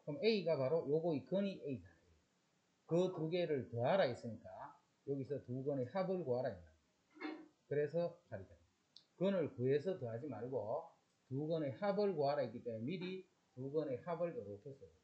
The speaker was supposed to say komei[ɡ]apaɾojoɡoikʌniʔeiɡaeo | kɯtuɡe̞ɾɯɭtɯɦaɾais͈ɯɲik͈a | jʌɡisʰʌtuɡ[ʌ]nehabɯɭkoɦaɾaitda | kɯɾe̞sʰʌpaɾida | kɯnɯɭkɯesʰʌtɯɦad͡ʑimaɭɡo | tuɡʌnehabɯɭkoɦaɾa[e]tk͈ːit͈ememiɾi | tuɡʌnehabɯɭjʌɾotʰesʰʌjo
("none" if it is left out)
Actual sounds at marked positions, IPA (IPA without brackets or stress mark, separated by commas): ɡ, ʌ, i